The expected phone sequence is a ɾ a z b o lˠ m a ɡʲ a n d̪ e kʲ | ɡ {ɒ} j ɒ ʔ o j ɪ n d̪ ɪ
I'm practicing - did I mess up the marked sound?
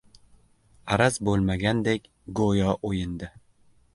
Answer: yes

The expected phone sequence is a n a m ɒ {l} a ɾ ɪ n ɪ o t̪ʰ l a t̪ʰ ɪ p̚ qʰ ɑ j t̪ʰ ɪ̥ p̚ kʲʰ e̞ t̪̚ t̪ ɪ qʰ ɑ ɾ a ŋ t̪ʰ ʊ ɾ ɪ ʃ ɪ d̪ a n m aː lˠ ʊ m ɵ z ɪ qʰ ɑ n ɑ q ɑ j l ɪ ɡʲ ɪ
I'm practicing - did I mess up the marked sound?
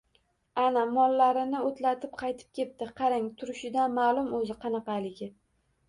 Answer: yes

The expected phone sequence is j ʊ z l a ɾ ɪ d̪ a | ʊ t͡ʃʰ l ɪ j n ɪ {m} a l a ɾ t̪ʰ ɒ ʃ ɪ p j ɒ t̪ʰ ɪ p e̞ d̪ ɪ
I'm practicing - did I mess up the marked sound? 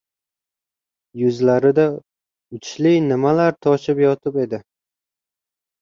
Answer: no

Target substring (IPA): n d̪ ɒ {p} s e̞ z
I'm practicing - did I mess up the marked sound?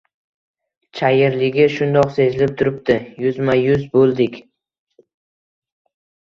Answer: yes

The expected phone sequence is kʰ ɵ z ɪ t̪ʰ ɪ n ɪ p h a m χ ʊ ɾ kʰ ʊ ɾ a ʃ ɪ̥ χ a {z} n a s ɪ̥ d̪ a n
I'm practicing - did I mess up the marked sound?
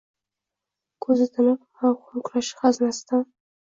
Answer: no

